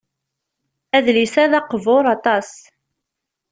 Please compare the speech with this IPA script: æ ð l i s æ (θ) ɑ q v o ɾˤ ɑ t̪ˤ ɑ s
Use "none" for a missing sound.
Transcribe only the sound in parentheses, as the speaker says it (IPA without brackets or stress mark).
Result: ð